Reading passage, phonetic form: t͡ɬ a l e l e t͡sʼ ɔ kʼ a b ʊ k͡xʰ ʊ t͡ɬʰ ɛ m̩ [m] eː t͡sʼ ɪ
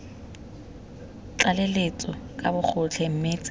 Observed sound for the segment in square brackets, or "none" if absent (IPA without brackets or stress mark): m